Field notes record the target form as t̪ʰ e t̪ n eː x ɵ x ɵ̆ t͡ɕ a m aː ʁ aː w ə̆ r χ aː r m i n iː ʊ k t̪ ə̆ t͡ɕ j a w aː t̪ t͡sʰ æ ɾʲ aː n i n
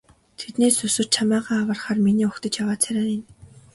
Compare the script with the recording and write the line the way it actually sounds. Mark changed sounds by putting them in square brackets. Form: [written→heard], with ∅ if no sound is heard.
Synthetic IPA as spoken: t̪ʰ e t̪ n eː [x→s] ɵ [x→s] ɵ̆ [t͡ɕ→t͡ɕʰ] a m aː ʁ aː w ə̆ r χ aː r m i n iː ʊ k t̪ ə̆ t͡ɕ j a w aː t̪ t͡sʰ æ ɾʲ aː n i n